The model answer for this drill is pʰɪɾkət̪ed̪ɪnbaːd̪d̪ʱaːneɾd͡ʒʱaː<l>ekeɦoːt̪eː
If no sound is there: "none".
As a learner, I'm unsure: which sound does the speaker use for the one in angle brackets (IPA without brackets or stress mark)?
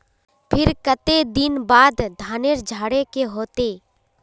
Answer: ɽ